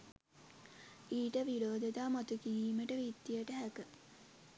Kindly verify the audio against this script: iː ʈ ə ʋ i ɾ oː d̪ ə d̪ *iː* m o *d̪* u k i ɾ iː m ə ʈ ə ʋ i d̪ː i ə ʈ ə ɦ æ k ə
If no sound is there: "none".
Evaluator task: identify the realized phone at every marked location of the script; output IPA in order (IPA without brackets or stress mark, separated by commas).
aː, t̪